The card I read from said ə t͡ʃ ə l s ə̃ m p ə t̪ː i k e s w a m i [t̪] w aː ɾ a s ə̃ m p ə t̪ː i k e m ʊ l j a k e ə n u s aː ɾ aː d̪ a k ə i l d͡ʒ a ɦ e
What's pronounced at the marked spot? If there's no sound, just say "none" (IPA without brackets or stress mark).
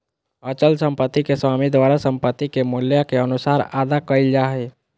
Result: d̪